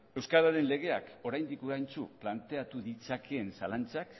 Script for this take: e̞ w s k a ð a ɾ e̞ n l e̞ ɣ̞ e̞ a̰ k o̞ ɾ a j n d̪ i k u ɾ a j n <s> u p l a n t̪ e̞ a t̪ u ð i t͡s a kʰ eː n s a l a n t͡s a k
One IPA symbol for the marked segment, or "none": t͡s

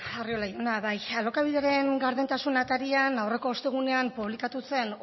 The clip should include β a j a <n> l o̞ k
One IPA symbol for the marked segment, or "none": none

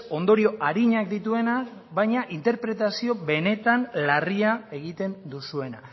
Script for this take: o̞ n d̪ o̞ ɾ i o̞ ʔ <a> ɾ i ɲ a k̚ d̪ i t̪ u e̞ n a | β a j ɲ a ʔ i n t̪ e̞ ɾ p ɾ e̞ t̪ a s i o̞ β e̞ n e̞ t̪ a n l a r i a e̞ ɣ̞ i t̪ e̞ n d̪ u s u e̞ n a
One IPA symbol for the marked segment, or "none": a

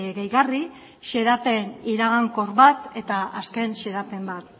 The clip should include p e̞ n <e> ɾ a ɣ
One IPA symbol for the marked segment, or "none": i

